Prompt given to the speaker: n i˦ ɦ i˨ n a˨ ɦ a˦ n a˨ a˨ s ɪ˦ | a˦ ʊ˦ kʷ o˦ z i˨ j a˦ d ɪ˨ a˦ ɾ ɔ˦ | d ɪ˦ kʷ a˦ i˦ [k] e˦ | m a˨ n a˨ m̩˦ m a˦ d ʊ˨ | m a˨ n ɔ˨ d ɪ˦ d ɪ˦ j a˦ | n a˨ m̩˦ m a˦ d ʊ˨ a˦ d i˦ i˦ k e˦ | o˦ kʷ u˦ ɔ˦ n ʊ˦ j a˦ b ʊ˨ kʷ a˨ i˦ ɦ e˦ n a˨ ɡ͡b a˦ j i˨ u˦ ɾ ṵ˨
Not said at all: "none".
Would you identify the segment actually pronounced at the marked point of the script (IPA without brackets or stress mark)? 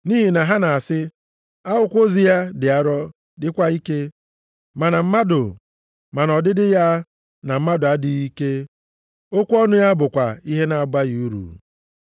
k